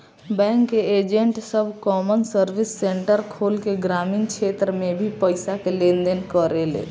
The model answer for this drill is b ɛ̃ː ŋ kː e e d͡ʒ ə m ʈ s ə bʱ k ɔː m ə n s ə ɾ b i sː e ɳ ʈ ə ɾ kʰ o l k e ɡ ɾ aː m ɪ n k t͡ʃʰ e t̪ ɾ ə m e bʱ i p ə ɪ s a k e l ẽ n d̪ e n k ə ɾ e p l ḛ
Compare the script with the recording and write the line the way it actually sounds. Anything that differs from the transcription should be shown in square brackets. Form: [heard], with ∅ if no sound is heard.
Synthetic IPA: b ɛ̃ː ŋ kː e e d͡ʒ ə [ɳ] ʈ s ə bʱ k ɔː m ə n s ə ɾ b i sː e ɳ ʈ ə ɾ kʰ o l k e ɡ ɾ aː m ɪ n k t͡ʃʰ e t̪ ɾ ə m e bʱ i p ə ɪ s a k e l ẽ n d̪ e n k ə ɾ e [∅] l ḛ

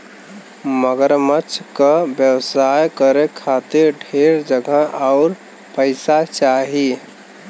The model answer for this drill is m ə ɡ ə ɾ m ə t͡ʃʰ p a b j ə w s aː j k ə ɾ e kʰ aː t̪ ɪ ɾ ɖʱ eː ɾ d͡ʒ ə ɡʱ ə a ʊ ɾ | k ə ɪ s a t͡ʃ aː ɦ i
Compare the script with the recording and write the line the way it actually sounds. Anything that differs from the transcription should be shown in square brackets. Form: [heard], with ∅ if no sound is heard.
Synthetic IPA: m ə ɡ ə ɾ m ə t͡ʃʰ [k] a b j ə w s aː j k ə ɾ e kʰ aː t̪ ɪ ɾ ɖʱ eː ɾ d͡ʒ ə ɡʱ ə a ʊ ɾ | [p] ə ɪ s a t͡ʃ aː ɦ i

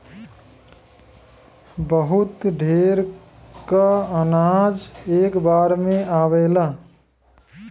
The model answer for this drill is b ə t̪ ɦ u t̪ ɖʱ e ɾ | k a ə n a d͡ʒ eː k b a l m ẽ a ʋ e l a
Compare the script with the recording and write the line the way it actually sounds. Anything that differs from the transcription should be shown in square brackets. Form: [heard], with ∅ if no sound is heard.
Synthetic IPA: b ə [∅] ɦ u t̪ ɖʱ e ɾ | k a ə n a d͡ʒ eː k b a [ɾ] m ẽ a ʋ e l a

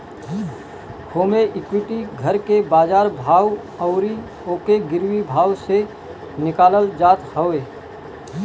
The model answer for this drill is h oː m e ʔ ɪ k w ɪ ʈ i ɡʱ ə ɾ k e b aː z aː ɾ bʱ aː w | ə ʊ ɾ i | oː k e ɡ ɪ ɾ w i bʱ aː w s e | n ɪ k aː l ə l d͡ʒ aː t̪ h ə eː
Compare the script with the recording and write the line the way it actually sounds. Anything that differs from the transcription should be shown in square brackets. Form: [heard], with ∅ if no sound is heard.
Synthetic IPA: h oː m e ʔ ɪ k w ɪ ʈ i ɡʱ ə ɾ k e b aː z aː ɾ bʱ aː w | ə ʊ ɾ i | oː k e ɡ ɪ ɾ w i bʱ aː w s e | n ɪ k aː l ə l d͡ʒ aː t̪ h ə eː

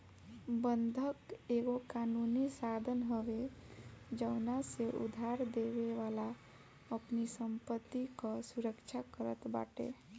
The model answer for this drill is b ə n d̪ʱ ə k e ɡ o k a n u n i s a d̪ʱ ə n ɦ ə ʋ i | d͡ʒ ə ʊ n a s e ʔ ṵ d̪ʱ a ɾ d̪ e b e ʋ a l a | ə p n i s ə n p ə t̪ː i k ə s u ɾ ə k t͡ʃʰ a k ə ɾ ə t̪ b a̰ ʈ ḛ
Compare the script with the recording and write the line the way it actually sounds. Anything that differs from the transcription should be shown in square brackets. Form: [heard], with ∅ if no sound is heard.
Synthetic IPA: b ə n d̪ʱ ə k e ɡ o k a n u n i s a d̪ʱ ə n ɦ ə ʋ [e] | d͡ʒ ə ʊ n a s e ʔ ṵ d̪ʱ a ɾ d̪ e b e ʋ a l a | ə p n i s ə [m] p ə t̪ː i k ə s u ɾ ə k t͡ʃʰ a k ə ɾ ə t̪ b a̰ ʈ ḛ

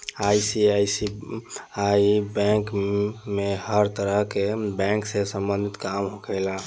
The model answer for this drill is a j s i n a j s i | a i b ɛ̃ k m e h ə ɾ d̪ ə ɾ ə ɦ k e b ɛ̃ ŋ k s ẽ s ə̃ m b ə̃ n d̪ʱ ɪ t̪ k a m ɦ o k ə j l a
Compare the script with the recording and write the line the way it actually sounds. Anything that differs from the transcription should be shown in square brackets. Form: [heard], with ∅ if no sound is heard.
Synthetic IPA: a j s i [∅] a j s i | a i b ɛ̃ k m e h ə ɾ [t̪] ə ɾ ə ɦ k e b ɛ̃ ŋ k s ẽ s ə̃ m b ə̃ n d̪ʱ [i] t̪ k a m ɦ o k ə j l a

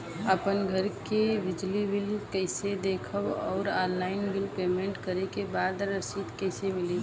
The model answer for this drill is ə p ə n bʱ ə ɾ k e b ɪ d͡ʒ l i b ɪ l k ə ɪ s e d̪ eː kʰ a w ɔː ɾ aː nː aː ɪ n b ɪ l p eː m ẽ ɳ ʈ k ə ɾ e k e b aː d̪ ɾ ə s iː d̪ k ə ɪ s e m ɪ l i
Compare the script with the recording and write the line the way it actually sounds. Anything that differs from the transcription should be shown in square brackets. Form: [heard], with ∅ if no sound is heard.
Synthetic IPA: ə p ə n [ɡʱ] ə ɾ k e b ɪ d͡ʒ l i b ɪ l k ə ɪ s e d̪ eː kʰ [ə] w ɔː ɾ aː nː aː ɪ n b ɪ l p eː m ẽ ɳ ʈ k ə ɾ e k e b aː d̪ ɾ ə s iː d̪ k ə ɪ s e m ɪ l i

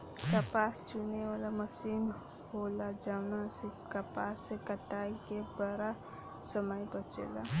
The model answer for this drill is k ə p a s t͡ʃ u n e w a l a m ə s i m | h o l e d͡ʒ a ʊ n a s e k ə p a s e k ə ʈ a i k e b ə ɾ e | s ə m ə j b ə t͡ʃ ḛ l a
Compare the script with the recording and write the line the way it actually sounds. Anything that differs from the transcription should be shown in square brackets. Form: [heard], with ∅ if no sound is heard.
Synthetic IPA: k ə p a s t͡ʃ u n e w a l a m ə s i [n] | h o l [a] d͡ʒ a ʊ n a s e k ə p a s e k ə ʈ a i k e b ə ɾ [a] | s ə m ə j b ə t͡ʃ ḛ l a

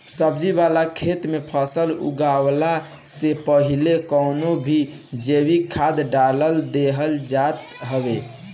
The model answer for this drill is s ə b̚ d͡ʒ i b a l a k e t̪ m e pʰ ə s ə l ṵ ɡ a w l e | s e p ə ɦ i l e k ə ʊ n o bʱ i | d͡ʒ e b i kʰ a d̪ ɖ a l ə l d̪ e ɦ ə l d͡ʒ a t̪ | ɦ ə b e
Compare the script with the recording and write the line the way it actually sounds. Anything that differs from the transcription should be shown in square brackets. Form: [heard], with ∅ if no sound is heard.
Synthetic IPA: s ə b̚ d͡ʒ i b a l a [kʰ] e t̪ m e pʰ ə s ə l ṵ ɡ a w l [a] | s e p ə ɦ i l e k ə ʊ n o bʱ i | d͡ʒ e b i kʰ a d̪ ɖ a l ə l d̪ e ɦ ə l d͡ʒ a t̪ | ɦ ə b e

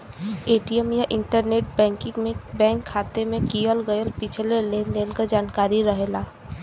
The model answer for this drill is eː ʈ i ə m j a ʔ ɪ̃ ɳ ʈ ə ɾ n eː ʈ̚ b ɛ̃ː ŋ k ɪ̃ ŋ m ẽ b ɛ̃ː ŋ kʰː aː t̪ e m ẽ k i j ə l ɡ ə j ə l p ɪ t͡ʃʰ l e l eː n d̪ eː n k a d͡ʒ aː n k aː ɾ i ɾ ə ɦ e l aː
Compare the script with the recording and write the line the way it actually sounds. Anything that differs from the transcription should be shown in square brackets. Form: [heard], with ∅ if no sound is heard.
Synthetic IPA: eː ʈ i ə m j a ʔ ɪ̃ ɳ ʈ ə ɾ n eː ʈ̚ b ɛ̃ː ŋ k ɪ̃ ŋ m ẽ b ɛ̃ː ŋ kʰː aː t̪ e m ẽ k i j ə l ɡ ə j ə l p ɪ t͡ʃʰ l e l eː n d̪ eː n k a d͡ʒ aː n k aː ɾ i ɾ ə ɦ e l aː

